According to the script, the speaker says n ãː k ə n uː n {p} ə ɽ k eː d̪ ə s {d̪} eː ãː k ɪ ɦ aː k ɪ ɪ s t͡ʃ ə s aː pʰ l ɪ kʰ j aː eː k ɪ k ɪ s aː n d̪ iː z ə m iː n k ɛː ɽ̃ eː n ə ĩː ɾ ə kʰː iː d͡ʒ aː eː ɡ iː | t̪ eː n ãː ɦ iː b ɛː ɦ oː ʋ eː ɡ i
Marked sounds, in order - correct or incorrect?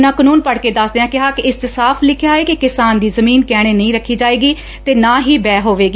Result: correct, correct

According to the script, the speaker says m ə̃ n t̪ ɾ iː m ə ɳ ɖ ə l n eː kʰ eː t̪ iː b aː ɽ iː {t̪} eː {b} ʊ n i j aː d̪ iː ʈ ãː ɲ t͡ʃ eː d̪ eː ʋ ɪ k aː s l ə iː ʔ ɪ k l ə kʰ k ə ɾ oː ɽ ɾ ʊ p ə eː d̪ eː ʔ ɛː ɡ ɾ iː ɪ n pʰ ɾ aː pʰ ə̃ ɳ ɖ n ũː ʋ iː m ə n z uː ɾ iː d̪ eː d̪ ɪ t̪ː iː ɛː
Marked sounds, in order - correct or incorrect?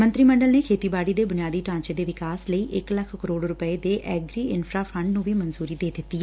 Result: incorrect, correct

